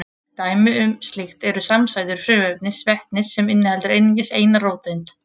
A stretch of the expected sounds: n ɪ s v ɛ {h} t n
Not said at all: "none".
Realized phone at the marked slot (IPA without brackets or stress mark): h